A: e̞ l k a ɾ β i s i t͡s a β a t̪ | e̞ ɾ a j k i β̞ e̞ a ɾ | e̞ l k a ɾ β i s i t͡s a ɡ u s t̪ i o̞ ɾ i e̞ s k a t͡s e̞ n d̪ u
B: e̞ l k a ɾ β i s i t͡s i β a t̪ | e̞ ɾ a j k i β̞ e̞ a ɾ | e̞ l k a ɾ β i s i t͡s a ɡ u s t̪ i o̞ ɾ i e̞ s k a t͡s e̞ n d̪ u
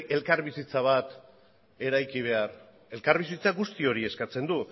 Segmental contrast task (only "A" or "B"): A